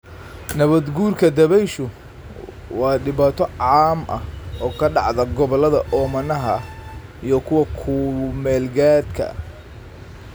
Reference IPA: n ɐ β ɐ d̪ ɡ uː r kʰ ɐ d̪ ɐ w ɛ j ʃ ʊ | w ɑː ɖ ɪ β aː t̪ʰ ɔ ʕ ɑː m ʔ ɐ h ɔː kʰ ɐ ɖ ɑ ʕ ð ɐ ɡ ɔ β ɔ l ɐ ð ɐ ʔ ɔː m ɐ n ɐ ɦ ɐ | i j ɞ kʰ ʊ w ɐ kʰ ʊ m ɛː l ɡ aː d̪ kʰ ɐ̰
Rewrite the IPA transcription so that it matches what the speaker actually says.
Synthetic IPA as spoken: n ɐ β ɐ d̪ ɡ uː r kʰ ɐ d̪ ɐ β ɛ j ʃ ʊ | w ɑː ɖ ɪ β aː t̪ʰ ɔ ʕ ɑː m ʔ ɐ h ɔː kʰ ɐ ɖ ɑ ʕ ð ɐ ɡ ɔ β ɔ l ɐ ð ɐ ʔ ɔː m ɐ n ɐ ɦ ɐ | i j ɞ kʰ ʊ w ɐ kʰ ʊ m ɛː l ɡ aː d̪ kʰ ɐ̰